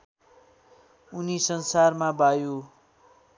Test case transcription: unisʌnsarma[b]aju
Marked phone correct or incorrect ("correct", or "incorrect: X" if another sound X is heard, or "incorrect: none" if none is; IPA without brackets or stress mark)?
correct